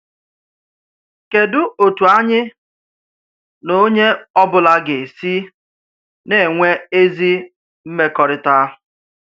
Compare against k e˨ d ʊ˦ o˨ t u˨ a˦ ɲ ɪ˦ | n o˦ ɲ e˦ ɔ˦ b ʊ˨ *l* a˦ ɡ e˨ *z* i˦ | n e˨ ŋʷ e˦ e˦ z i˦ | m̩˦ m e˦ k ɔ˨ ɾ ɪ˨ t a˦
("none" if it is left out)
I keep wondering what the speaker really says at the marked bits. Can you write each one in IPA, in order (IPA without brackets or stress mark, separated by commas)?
l, s